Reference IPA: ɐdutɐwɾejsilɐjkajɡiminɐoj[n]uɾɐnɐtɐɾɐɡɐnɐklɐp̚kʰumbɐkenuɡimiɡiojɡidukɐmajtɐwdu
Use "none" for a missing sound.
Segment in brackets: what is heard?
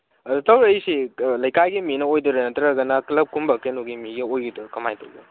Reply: d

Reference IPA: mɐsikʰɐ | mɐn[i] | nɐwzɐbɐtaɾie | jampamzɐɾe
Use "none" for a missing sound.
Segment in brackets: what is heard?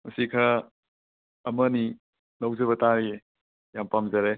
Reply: i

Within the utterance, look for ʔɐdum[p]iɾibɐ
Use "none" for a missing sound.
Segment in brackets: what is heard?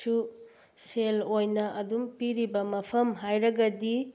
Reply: p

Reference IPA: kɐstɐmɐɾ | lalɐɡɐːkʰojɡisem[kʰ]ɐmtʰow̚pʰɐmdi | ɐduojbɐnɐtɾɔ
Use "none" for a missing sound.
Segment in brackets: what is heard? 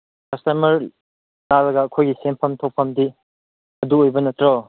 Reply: pʰ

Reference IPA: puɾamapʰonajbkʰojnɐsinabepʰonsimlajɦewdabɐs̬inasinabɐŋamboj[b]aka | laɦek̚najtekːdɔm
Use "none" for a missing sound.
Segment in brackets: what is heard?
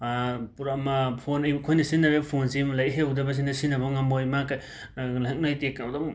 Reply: m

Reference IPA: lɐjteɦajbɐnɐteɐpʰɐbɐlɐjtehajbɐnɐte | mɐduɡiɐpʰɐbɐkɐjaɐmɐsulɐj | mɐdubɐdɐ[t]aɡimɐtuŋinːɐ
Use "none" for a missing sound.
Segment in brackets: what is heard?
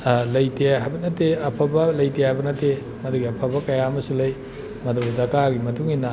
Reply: k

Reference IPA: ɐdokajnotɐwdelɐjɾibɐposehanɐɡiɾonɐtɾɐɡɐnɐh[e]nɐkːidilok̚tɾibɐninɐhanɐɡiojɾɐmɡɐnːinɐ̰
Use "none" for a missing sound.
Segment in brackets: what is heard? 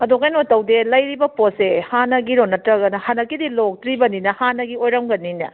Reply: a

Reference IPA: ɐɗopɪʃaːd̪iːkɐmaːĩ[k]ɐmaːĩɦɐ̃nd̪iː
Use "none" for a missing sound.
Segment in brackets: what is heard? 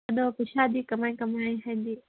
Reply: k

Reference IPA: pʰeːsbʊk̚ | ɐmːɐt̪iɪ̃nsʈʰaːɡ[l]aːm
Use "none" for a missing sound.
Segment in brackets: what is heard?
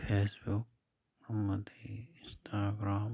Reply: ɾ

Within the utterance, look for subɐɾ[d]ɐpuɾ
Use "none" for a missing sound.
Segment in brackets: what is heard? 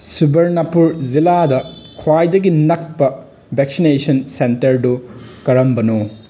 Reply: n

